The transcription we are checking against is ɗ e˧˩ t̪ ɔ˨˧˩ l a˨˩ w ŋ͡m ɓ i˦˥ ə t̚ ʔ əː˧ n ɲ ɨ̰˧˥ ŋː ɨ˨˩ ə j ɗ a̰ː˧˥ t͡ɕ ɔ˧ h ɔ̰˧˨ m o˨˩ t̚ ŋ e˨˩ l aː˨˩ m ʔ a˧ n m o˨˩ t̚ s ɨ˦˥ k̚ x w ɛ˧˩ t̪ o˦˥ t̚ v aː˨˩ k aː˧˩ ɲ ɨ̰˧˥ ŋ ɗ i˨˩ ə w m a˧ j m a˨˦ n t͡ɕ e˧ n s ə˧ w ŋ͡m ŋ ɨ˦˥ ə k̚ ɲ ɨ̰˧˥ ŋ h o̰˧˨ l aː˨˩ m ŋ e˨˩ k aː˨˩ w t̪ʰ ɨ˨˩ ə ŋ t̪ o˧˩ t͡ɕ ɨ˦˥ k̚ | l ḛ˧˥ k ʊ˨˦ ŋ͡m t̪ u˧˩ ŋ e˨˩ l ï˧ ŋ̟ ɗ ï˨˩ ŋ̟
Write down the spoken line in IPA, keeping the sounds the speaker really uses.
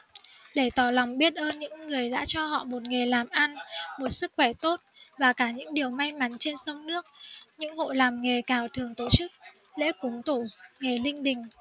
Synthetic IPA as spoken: ɗ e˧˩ t̪ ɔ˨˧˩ l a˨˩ w ŋ͡m ɓ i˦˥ ə t̚ ʔ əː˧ n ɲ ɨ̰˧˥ ŋː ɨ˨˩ ə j ɗ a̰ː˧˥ t͡ɕ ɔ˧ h ɔ̰˧˨ m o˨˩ t̚ ŋ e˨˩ l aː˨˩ m ʔ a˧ n m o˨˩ t̚ s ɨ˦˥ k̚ x w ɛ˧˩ t̪ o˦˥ t̚ v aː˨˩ k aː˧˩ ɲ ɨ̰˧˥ ŋ ɗ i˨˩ ə w m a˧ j m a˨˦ n t͡ɕ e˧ n s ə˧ w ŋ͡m n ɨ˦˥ ə k̚ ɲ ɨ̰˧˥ ŋ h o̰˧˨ l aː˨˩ m ŋ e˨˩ k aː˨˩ w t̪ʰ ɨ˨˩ ə ŋ t̪ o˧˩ t͡ɕ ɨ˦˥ k̚ | l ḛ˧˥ k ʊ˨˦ ŋ͡m t̪ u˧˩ ŋ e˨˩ l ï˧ ŋ̟ ɗ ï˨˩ ŋ̟